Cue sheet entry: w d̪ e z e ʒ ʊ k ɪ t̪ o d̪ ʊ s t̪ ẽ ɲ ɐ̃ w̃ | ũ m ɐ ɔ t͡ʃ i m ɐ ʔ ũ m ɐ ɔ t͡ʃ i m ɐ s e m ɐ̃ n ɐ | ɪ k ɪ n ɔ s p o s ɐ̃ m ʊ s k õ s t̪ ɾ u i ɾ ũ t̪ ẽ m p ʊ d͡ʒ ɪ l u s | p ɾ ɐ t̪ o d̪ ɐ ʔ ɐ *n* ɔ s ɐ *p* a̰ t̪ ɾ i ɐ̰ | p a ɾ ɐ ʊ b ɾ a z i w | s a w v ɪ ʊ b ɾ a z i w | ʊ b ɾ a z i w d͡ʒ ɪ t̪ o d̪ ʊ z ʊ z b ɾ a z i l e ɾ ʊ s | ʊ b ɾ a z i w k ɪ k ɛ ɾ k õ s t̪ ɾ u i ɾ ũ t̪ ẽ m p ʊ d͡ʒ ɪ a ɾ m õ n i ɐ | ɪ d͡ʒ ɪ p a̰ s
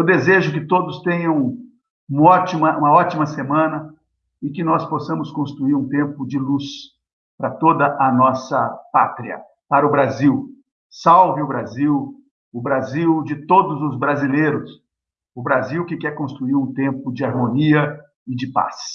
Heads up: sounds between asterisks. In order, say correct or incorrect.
correct, correct

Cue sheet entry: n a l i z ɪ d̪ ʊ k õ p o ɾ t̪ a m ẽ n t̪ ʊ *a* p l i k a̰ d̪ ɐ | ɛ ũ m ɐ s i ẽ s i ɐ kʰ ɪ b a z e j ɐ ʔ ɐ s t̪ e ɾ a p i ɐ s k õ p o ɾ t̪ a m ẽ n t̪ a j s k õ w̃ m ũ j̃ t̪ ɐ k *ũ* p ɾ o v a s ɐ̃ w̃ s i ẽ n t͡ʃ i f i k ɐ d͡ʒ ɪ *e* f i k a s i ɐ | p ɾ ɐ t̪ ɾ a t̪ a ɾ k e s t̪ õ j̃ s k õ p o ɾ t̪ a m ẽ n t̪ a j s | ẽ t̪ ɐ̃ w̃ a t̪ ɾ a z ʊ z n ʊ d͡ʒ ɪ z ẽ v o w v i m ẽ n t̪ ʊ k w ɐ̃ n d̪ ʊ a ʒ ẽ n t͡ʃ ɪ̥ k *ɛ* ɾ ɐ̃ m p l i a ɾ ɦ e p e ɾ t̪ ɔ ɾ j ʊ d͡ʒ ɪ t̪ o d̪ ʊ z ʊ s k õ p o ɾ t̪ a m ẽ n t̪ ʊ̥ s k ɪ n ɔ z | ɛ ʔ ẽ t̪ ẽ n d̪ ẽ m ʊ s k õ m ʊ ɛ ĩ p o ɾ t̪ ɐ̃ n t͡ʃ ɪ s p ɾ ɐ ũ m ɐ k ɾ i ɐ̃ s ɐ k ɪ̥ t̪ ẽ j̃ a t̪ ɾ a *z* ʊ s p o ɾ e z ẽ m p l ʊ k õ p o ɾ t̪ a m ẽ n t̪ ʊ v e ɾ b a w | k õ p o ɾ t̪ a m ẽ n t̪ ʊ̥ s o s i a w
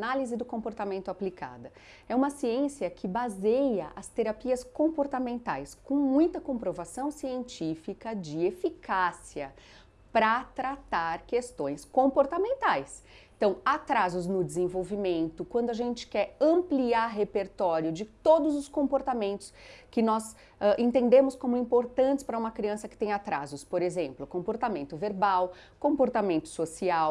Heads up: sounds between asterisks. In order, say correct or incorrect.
correct, incorrect, correct, correct, correct

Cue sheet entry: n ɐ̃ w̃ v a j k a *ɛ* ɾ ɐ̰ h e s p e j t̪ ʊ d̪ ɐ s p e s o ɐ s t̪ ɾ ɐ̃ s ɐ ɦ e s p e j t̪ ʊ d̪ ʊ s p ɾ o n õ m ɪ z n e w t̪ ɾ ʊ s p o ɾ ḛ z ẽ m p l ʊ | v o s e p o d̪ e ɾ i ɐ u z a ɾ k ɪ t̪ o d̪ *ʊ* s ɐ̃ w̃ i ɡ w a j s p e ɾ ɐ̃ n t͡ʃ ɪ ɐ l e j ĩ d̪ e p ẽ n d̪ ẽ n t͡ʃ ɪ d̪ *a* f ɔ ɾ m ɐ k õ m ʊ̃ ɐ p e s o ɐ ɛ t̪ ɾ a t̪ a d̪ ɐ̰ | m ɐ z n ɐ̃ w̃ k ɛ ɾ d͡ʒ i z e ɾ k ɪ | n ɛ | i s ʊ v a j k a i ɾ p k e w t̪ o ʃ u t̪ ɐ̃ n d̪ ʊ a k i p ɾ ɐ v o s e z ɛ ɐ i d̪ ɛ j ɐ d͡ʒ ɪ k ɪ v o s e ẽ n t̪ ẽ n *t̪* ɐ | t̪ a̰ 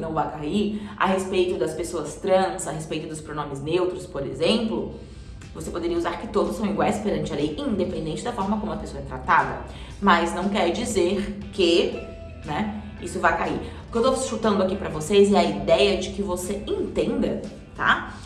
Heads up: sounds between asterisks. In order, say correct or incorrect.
incorrect, correct, incorrect, incorrect

